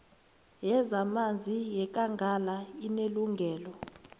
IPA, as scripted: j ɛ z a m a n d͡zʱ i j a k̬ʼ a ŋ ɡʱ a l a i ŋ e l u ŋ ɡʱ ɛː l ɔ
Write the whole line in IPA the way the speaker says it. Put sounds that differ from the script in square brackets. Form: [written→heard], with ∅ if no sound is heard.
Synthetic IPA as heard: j ɛ z a m a n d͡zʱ i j [a→ɛ] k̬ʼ a ŋ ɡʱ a l a i [ŋ→n] e l u ŋ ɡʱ ɛː l ɔ